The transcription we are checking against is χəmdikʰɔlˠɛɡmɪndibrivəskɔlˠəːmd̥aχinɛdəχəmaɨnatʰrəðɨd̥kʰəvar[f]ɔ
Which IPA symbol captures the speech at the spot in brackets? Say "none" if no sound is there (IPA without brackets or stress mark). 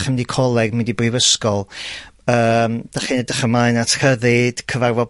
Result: v